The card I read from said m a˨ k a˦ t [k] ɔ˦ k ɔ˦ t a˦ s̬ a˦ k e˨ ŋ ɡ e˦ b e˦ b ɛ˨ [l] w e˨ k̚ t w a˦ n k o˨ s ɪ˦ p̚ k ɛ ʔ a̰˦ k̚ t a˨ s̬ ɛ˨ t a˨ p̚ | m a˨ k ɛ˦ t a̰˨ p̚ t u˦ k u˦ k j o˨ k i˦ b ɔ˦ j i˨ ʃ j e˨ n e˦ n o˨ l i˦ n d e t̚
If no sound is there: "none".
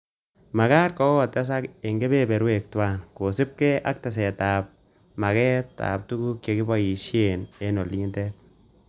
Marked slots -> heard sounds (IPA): k, ɾ

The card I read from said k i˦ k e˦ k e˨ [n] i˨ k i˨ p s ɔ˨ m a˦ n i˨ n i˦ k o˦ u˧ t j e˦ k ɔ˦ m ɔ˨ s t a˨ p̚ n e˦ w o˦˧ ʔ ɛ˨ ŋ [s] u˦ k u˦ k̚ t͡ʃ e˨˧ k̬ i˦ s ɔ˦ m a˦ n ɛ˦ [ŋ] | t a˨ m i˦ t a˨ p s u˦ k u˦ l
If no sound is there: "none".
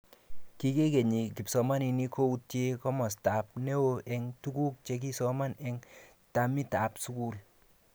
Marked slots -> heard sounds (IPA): ɲ, t, ŋ

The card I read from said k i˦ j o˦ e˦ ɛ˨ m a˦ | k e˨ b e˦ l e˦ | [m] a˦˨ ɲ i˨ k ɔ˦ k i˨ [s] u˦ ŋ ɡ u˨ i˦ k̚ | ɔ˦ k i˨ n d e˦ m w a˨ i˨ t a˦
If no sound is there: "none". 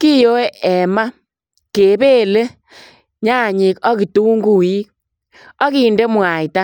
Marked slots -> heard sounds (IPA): ɲ, t

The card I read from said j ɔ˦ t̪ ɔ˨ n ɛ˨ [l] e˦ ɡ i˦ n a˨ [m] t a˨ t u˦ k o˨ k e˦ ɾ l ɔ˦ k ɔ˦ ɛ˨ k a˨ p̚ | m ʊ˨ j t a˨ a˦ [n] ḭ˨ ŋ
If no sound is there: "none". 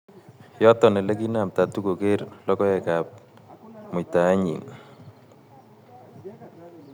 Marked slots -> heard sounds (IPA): l, m, ɲ

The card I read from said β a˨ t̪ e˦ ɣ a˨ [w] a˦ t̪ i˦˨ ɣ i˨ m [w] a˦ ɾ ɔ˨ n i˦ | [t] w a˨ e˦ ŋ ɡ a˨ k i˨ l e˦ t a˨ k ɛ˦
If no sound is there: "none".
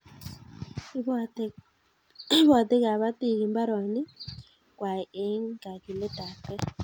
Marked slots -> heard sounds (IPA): β, b, k

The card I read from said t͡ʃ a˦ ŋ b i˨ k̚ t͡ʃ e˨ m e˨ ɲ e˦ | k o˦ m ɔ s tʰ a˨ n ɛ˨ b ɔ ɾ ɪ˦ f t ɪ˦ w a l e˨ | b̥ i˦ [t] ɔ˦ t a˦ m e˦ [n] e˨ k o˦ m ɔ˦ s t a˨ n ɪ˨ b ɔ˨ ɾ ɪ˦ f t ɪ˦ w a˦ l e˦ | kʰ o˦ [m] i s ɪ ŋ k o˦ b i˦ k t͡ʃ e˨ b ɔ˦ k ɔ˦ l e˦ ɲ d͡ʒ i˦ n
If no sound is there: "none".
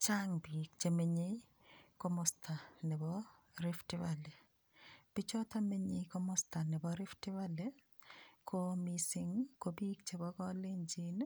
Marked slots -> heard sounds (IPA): t͡ʃ, ɲ, m

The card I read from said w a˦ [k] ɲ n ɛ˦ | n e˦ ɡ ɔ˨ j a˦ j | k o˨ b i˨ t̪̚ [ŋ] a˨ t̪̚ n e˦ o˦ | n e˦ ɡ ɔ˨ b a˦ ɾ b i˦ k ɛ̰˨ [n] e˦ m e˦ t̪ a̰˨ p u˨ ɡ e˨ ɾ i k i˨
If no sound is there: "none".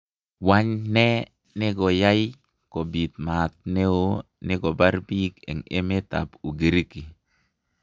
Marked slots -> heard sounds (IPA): none, m, ŋ

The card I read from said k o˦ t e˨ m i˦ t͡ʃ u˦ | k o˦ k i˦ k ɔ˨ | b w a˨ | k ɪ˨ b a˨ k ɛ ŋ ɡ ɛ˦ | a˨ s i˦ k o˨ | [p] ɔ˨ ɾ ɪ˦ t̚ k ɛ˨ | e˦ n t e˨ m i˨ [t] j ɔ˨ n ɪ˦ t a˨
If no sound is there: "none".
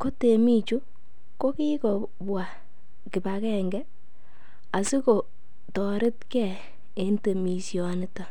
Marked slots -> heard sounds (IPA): t, s

